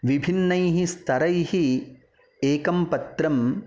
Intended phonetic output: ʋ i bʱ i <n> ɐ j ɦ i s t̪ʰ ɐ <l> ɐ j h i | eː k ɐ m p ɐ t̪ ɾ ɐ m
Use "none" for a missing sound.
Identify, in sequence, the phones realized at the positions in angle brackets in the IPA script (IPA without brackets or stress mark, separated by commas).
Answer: nː, ɾ